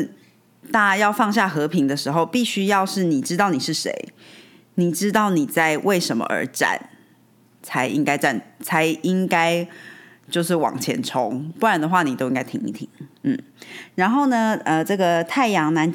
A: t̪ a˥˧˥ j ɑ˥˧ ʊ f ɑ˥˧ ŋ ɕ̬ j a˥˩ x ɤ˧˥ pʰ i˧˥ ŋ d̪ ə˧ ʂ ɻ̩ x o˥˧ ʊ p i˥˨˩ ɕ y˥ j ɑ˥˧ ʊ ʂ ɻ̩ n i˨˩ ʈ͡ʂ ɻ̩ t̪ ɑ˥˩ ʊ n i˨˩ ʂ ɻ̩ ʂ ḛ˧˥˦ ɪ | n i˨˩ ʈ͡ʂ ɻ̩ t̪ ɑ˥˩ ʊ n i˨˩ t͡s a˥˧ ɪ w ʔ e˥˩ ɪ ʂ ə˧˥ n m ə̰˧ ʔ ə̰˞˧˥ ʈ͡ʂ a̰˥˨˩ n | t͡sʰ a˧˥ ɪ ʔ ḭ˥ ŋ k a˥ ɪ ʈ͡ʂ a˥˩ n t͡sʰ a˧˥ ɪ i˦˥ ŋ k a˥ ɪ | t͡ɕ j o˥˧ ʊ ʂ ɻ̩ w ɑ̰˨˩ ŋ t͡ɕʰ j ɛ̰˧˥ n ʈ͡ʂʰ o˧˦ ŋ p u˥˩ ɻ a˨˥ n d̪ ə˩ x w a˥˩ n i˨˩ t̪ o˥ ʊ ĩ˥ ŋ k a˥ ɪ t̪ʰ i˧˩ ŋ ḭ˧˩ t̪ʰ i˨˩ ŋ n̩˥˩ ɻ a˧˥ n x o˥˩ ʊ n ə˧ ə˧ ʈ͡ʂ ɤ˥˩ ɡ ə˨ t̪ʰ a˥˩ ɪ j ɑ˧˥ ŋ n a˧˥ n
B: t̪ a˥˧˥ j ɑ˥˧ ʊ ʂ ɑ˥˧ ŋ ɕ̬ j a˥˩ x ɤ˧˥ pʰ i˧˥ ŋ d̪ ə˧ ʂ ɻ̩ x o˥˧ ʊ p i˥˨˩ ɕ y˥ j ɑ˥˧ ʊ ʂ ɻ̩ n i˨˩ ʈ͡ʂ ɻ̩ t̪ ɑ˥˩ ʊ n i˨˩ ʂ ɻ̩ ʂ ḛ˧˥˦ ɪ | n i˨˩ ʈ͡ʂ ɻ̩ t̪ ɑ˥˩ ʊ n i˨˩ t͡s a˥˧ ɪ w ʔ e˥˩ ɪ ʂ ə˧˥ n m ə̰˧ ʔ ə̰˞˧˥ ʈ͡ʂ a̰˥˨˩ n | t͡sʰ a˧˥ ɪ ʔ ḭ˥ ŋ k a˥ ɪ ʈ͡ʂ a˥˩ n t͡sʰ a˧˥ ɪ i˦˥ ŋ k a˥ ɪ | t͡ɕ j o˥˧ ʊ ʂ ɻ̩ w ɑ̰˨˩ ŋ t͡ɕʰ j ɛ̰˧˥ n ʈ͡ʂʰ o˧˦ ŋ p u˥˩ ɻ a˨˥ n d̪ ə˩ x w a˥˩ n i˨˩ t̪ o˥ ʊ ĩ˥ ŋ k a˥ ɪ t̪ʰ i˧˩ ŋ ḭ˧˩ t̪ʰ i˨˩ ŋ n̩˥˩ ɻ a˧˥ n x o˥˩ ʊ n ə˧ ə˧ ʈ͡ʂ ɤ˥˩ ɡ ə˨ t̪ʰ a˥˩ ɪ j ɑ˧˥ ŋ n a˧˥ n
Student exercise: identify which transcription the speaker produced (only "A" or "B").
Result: A